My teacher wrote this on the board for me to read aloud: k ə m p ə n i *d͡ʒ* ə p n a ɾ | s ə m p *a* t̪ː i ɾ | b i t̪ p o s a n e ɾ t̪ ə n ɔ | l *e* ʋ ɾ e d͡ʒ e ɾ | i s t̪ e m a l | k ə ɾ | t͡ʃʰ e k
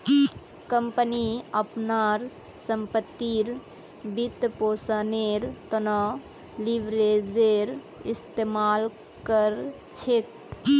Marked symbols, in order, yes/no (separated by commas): no, no, no